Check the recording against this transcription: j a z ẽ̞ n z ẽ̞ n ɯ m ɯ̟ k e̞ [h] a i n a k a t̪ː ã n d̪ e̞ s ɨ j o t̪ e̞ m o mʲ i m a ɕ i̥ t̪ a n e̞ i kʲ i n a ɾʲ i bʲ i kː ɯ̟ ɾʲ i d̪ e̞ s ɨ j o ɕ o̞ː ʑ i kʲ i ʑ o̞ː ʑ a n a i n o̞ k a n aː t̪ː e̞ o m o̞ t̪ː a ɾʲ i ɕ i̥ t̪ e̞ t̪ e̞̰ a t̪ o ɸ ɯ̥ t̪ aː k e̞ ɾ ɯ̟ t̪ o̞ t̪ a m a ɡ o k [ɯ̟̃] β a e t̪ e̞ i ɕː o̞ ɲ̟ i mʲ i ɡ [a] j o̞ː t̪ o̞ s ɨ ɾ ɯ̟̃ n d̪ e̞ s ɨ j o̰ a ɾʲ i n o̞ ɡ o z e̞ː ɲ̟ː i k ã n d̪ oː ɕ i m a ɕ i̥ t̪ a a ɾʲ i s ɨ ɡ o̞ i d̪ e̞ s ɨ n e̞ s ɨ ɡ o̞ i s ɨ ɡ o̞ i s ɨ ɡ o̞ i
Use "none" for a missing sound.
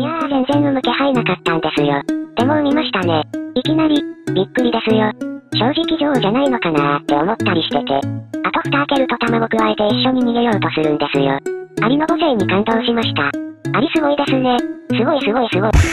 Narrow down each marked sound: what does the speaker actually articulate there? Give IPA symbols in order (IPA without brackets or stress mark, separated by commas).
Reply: h, ɯ̟, e